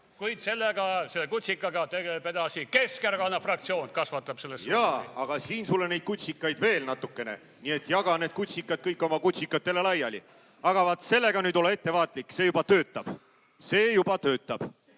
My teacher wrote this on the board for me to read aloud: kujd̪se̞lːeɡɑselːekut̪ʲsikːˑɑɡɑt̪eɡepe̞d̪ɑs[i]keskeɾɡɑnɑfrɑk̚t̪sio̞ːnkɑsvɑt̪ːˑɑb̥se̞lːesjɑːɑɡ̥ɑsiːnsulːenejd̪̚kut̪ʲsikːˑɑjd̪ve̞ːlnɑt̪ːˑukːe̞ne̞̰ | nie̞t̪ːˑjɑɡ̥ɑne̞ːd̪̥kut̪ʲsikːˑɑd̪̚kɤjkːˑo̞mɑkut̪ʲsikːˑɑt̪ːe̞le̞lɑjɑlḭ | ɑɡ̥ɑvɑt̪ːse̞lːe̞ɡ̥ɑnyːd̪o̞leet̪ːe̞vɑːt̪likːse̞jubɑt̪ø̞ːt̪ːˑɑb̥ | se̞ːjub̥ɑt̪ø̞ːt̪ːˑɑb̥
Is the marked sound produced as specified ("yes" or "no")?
yes